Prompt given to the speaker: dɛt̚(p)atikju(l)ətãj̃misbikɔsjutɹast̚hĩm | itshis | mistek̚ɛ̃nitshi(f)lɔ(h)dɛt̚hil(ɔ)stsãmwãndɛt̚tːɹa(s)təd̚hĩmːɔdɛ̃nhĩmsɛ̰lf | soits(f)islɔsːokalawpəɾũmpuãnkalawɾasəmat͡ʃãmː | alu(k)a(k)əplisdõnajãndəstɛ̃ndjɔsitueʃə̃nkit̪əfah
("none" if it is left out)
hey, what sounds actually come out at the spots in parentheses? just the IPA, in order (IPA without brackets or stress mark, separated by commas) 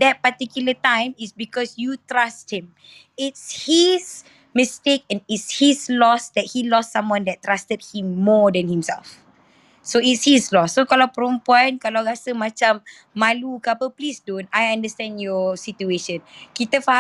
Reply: p, l, s, s, ɔ, s, h, k, p